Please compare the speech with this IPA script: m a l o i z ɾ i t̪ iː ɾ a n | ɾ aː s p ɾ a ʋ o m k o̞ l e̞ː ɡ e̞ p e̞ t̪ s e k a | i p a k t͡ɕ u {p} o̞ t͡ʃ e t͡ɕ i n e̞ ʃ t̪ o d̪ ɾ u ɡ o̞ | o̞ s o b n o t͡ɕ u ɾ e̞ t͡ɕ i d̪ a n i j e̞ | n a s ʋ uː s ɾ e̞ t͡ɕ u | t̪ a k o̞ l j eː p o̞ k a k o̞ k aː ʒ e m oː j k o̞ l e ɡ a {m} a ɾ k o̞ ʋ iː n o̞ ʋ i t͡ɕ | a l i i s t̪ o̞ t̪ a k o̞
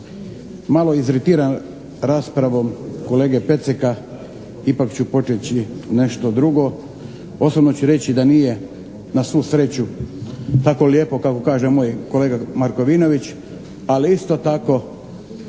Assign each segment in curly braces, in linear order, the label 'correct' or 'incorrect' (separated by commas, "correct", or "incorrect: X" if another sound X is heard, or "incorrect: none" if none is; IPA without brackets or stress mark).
correct, correct